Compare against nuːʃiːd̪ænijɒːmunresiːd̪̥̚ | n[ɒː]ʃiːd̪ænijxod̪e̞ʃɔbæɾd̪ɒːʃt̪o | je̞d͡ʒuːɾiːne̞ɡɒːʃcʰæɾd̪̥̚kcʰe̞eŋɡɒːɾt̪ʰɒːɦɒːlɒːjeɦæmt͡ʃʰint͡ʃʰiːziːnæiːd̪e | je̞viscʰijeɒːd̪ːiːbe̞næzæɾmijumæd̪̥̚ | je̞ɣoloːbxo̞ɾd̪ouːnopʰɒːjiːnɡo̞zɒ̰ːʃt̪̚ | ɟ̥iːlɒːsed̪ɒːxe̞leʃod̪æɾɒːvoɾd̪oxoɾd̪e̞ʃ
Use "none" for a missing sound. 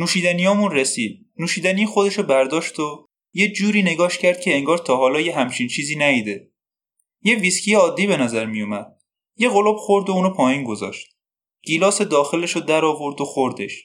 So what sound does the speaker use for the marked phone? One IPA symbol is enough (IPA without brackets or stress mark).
uː